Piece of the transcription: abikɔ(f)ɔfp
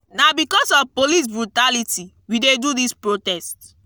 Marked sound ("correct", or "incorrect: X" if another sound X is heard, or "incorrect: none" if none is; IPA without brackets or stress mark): incorrect: s